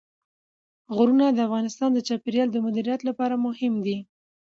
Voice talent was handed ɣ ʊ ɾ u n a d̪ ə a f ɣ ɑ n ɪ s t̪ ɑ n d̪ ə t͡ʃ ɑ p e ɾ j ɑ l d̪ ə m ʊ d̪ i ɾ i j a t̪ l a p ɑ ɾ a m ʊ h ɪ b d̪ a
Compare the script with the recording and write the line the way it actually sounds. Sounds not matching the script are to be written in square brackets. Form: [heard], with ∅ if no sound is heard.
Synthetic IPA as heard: ɣ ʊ ɾ u n a d̪ ə a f ɣ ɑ n ɪ s t̪ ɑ n d̪ ə t͡ʃ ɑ p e ɾ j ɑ l d̪ ə m ʊ d̪ i ɾ i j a t̪ l a p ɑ ɾ a m ʊ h ɪ [m] d̪ [i]